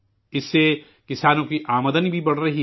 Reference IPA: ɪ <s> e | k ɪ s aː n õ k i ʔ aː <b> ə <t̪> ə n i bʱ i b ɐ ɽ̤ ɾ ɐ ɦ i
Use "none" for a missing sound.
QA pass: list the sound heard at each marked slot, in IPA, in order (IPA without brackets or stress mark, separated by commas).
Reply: sː, m, d̪